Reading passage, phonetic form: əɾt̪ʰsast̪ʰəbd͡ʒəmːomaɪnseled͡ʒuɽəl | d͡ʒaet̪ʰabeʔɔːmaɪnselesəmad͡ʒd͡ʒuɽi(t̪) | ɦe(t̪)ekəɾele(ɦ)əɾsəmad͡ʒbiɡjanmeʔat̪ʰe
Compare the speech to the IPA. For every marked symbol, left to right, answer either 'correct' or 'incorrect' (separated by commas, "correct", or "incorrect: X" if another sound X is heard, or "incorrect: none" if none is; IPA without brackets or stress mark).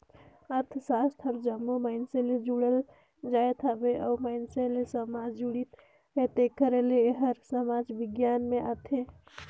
correct, correct, correct